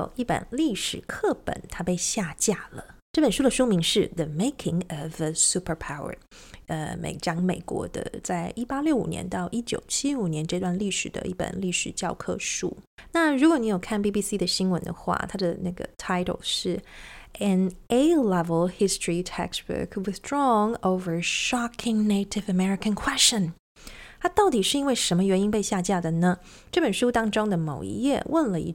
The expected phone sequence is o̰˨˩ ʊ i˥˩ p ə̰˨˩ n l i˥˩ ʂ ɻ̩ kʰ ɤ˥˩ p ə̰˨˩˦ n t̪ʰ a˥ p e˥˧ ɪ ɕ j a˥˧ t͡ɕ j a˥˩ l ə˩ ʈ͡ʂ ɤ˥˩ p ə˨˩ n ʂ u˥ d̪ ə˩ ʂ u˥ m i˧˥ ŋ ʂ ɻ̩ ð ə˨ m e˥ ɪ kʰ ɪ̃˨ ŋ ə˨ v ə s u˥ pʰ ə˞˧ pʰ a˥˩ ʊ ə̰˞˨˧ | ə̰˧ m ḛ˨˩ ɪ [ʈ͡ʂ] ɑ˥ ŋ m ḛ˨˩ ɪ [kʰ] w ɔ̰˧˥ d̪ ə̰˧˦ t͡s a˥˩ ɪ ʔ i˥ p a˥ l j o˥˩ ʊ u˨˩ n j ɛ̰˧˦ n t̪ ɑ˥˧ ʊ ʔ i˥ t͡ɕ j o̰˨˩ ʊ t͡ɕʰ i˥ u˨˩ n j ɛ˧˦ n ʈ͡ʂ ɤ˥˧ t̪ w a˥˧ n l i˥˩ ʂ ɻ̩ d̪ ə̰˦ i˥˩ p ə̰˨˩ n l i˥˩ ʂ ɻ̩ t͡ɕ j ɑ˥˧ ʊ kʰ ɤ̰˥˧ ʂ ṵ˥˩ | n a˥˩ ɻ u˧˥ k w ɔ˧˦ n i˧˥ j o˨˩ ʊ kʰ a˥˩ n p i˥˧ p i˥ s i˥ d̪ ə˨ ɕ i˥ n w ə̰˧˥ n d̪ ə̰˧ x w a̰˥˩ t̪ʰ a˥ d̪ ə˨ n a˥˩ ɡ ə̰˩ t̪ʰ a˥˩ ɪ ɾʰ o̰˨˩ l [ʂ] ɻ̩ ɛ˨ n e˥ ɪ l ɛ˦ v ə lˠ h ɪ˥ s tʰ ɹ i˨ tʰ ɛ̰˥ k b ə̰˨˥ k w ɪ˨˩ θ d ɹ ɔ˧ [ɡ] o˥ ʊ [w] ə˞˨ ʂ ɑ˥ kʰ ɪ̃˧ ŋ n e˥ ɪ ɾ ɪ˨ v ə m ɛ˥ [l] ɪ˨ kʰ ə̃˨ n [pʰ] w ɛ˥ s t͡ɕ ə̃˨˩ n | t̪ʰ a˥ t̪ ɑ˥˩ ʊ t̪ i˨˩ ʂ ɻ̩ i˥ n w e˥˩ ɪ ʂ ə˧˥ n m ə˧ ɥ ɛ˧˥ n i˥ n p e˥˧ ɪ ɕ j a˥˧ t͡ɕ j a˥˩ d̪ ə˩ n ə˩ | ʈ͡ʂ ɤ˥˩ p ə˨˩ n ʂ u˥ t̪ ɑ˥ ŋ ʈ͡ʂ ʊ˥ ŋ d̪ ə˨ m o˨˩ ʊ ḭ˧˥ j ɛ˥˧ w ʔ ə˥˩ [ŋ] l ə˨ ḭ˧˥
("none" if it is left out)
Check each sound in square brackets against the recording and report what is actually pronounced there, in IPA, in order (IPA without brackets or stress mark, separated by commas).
ʈ͡ʂ, k, ʂ, ŋ, v, ɹ, kʰ, n